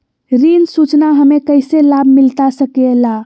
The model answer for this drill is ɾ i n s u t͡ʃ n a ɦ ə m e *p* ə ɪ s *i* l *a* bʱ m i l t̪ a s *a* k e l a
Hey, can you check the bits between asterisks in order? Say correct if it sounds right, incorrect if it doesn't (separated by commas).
incorrect, incorrect, correct, incorrect